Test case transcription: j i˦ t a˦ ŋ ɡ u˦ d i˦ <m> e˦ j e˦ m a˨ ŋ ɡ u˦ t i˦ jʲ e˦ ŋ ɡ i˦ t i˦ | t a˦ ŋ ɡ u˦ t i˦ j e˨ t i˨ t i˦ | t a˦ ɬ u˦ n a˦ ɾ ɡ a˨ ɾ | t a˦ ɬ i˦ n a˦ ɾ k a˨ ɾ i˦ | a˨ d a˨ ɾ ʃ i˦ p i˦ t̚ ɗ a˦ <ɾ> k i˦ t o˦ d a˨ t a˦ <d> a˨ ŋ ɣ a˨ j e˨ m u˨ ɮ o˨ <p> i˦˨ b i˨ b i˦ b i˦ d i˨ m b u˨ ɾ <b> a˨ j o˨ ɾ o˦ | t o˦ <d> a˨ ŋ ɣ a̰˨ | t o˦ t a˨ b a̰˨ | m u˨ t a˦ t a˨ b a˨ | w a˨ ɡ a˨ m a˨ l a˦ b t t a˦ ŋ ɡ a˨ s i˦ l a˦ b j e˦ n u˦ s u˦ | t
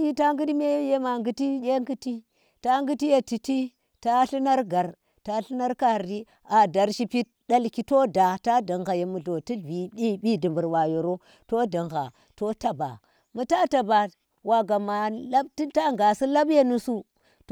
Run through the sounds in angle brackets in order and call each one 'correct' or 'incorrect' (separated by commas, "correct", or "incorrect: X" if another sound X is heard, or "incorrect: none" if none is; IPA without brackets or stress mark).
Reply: correct, incorrect: l, correct, incorrect: t, incorrect: w, correct